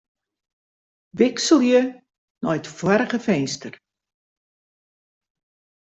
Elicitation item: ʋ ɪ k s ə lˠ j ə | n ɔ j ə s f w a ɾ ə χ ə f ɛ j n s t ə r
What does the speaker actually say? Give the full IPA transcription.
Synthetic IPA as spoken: ʋ ɪ k s ə lˠ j ə | n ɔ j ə t f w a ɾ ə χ ə f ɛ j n s t ə r